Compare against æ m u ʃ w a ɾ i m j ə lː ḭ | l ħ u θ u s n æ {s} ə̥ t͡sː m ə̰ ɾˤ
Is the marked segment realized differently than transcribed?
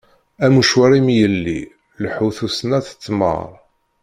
yes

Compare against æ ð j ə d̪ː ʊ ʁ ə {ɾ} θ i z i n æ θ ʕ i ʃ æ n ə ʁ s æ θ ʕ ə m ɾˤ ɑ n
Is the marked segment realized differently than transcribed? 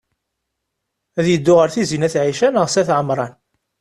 no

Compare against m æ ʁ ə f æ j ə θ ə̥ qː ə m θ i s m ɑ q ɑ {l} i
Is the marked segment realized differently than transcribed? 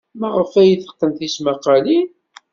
no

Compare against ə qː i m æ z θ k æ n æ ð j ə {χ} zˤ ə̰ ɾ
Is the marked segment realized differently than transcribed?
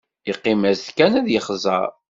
no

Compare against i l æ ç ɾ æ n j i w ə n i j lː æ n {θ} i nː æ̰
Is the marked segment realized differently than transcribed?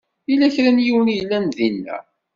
yes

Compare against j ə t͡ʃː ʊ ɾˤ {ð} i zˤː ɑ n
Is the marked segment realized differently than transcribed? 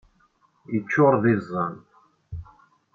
no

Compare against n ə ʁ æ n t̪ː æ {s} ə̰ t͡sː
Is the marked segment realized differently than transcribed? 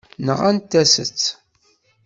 no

